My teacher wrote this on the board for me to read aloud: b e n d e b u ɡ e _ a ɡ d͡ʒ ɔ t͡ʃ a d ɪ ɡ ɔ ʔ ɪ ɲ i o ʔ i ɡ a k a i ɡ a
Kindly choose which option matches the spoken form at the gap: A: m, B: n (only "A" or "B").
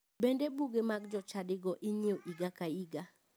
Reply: A